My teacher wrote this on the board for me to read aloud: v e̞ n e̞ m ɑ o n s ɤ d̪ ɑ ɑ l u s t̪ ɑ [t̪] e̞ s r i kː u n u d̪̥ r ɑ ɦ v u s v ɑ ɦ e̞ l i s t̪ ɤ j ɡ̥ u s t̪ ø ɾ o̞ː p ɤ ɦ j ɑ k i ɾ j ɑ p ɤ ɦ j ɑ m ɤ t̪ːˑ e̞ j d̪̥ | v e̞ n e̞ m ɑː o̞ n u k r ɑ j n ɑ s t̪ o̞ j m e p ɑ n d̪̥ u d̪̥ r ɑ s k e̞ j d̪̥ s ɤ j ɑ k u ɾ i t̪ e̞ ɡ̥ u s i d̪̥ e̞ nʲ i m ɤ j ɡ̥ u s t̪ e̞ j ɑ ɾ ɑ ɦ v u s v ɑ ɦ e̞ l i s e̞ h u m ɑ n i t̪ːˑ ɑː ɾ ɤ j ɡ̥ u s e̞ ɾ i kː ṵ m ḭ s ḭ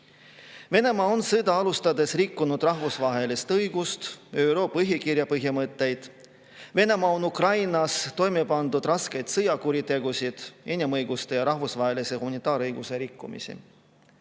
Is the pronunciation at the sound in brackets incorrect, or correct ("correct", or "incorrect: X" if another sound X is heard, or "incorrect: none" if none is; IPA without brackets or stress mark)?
incorrect: d̪